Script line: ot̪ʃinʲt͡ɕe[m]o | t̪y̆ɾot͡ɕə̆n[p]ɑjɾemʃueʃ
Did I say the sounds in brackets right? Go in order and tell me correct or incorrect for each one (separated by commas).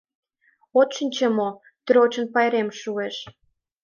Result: correct, correct